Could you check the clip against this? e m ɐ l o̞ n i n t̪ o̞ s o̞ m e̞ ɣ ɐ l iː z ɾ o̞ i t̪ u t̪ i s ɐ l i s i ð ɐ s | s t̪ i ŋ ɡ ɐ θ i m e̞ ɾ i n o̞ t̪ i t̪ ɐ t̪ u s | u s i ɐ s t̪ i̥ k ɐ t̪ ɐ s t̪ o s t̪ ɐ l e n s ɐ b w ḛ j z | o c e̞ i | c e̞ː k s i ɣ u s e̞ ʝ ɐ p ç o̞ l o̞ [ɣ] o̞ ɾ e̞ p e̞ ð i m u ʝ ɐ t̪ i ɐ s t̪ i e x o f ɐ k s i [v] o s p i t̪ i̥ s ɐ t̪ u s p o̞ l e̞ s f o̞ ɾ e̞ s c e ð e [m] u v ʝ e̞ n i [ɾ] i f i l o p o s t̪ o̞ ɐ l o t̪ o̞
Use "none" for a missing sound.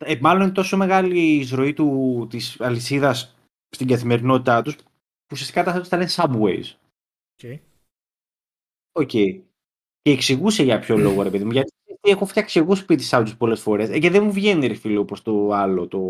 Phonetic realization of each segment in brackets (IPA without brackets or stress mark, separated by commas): ɣ, ɣ, m, ɾ